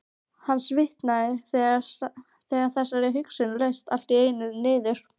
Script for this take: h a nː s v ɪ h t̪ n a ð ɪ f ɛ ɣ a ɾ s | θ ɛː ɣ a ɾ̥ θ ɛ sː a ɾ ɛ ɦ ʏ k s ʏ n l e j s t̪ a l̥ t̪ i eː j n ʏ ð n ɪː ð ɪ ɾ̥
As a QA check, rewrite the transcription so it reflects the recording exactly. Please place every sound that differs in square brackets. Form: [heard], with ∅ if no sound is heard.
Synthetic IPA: h a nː s v ɪ h t̪ n a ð ɪ [θ] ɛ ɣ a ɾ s | θ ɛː ɣ a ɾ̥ θ ɛ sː a ɾ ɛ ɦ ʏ k s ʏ n l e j s t̪ a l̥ t̪ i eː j n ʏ ð n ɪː ð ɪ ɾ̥